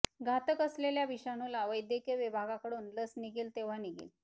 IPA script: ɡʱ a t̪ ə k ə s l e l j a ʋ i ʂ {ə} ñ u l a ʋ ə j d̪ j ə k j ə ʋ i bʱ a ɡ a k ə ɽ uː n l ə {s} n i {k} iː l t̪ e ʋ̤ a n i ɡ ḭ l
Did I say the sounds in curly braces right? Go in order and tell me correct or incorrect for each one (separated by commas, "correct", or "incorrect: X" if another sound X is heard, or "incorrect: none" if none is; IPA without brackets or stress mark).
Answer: incorrect: a, correct, incorrect: ɡ